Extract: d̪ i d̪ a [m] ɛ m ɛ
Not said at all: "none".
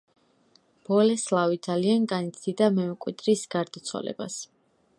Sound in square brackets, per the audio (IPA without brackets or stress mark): m